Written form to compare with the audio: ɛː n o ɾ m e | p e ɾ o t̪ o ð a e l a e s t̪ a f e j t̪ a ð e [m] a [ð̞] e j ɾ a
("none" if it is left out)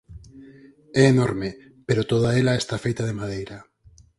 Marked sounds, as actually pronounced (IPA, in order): m, ð̞

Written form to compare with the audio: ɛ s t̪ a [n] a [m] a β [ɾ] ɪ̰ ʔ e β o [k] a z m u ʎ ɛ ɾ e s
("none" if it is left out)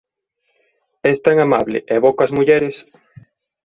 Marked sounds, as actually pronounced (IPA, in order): ŋ, m, l, k

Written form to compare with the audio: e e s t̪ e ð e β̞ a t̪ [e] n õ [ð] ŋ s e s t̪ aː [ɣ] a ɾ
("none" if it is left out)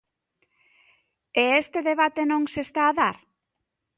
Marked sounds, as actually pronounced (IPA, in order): e, none, ð

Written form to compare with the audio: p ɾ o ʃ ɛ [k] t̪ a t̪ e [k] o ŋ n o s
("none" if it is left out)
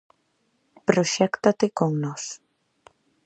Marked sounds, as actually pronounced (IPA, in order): k, k

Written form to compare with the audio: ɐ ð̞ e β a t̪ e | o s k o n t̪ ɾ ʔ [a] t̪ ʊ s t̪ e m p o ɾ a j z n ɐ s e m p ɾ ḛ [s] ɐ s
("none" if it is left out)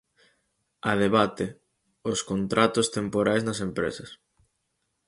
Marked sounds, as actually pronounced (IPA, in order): a, s

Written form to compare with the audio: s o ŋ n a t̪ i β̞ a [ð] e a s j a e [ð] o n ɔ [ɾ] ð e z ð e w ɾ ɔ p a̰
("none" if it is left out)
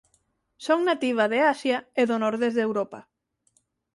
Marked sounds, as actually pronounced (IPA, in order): ð, ð, ɾ

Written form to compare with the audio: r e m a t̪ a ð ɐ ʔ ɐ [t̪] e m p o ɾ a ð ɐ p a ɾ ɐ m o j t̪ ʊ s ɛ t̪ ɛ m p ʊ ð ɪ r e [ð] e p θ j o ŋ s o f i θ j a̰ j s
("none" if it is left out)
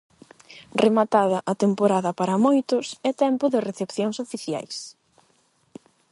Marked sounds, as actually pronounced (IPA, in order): t̪, θ

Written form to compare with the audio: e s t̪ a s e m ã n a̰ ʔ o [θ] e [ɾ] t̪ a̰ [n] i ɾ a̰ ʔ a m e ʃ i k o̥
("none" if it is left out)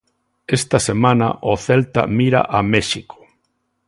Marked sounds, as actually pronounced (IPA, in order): θ, l, m

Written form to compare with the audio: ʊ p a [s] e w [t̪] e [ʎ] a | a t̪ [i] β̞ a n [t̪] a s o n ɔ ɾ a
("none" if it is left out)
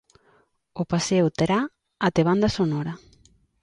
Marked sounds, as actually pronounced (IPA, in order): s, t̪, ɾ, e, d̪

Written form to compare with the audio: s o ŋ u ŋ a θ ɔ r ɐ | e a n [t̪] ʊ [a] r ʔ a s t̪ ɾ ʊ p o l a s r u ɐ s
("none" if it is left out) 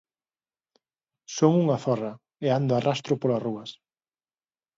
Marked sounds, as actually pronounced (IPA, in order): d̪, a

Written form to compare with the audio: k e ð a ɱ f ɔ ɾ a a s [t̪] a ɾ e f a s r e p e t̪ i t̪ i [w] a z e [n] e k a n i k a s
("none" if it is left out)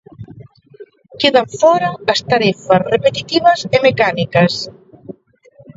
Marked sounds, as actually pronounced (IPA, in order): t̪, β, m

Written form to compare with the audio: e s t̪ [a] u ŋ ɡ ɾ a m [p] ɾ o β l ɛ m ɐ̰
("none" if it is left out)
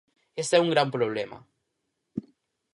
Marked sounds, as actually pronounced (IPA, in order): ɛ, p

